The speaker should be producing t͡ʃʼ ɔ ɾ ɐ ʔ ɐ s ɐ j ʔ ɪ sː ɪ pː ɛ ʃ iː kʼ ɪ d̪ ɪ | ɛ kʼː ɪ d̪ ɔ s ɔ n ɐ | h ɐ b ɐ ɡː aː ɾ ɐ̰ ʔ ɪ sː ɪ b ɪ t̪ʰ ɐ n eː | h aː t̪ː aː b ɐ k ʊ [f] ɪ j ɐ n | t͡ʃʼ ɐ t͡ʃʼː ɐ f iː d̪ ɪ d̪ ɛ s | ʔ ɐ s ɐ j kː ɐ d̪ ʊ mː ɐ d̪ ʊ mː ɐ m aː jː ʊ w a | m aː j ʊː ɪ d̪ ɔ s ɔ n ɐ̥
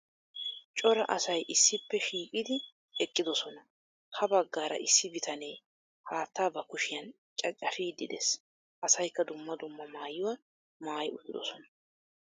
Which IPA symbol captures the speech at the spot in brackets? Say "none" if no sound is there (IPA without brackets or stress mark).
ʃ